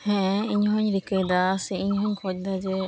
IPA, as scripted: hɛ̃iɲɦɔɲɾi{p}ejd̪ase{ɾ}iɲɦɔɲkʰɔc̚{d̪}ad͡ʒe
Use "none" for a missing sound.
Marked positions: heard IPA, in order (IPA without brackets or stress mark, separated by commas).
k, none, d̪